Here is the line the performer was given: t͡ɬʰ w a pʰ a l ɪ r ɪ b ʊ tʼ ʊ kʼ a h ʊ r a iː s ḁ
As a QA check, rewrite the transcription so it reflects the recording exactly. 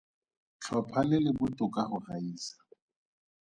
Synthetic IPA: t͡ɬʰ w a pʰ a l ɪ l ɪ b ʊ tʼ ʊ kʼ a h ʊ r a iː s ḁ

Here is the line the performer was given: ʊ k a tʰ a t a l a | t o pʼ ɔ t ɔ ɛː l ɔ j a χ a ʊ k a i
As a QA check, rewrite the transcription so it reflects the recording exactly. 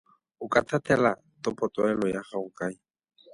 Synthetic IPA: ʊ k a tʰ a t ɛ l a | t ɔ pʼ ɔ t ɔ ɛ l ɔ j a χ a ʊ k a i

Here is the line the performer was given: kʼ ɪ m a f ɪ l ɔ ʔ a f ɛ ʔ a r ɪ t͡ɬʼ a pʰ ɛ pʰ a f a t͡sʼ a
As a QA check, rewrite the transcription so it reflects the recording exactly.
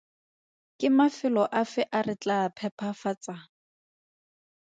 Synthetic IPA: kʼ ɪ m a f ɪ l ɔ ʔ a f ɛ ʔ a r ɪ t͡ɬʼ a pʰ ɛ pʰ a f a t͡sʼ a

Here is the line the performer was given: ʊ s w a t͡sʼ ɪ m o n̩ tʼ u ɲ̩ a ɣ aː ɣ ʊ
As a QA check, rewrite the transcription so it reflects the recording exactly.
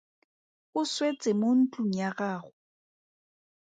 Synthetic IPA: ʊ s w e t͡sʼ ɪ m o n̩ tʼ u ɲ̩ a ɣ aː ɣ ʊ

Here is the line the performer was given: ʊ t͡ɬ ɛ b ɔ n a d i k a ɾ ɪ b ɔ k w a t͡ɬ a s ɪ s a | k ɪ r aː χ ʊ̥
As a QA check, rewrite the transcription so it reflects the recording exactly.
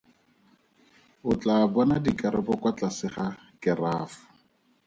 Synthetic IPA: ʊ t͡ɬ a b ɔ n a d i k a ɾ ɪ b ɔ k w a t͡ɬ a s ɪ χ a | k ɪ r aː f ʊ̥

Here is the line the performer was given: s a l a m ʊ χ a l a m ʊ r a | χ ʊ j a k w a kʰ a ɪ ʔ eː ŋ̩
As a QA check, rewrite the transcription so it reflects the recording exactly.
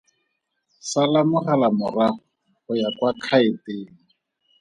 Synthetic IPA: s a l a m ʊ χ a l a m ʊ r a | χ ʊ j a k w a kʰ a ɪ t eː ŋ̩

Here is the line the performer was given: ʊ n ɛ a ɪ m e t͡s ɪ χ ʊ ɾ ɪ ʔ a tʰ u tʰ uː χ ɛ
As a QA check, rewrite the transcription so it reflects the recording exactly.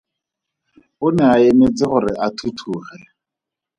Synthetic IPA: ʊ n ɛ a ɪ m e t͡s ɪ χ ʊ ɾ ɪ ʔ a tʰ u tʰ uː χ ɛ

